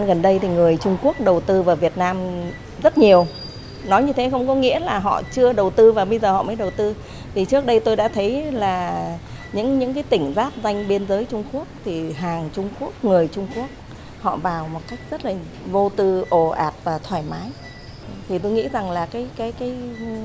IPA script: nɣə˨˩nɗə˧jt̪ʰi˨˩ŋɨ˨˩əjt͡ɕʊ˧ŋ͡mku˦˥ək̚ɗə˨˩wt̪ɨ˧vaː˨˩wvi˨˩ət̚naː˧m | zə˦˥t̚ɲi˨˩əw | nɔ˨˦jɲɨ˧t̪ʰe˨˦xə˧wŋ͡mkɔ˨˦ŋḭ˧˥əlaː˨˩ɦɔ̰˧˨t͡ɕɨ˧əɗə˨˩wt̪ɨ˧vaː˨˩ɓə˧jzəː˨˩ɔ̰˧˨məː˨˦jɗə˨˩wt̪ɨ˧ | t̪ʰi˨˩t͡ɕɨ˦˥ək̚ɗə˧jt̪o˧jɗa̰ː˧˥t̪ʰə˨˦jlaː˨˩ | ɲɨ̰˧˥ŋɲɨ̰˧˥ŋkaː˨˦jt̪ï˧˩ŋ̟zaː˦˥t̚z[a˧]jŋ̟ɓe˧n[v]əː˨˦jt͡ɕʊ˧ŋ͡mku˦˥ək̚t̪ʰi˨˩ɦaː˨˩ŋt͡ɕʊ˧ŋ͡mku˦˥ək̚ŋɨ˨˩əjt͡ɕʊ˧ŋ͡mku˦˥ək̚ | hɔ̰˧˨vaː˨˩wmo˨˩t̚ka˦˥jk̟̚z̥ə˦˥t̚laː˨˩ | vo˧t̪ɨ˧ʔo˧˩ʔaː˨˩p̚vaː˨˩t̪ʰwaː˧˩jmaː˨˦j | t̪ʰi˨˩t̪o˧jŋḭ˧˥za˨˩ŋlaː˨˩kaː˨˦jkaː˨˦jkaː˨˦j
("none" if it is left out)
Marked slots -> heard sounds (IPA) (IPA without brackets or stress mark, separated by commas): a˧, z